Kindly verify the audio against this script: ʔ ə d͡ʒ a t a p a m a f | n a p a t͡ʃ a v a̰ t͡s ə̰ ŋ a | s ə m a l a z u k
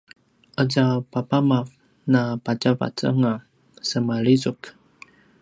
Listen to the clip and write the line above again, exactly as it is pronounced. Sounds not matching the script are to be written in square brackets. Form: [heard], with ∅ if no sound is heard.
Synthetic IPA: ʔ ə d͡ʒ a [p] a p a m a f | n a p a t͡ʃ a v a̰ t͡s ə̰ ŋ a | s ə m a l [i] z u k